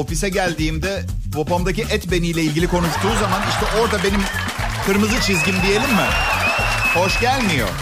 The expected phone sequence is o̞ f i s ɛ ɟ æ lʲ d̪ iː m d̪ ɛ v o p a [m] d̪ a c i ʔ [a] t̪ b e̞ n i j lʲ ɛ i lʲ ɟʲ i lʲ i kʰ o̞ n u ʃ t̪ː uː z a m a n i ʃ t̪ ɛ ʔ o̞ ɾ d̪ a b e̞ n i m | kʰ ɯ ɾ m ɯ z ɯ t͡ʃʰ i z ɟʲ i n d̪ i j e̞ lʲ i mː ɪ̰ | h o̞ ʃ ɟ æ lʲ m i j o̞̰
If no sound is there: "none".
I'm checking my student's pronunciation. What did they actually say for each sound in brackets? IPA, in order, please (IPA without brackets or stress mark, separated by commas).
m, ɛ